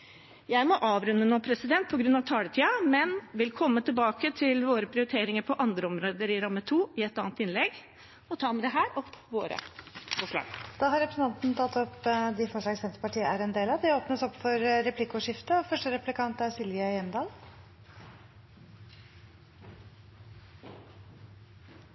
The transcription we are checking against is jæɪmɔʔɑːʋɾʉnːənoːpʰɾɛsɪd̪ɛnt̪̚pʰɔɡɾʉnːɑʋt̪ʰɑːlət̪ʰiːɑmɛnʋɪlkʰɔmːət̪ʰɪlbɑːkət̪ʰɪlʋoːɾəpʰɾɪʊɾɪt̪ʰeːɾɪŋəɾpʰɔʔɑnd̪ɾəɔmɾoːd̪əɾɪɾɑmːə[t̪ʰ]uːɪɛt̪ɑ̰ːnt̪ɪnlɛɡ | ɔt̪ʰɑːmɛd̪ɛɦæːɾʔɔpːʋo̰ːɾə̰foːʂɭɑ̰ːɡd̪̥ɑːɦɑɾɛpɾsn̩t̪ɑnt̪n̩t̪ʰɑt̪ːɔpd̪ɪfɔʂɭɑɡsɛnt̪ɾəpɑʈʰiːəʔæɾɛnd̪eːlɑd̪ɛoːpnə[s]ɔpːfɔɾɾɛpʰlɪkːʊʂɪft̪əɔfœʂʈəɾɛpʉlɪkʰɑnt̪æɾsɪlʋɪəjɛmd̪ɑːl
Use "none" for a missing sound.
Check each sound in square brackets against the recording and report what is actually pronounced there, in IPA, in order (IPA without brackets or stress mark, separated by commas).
t̪ʰ, s